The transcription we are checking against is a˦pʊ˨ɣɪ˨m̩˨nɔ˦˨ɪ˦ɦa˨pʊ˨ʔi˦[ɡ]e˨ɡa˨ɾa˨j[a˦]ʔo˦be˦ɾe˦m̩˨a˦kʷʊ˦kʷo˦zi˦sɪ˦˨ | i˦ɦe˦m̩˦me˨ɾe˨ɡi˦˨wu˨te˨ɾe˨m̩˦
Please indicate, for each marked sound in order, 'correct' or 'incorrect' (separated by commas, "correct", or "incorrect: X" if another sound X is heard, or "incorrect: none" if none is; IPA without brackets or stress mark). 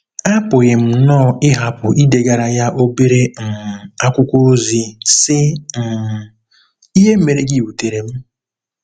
incorrect: d, correct